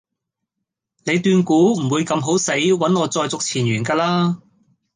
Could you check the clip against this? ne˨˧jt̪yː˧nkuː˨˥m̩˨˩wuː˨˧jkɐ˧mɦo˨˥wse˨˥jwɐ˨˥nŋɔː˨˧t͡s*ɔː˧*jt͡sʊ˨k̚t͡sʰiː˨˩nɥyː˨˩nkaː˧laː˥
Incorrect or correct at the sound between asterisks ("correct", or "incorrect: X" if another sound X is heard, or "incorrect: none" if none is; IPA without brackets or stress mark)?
correct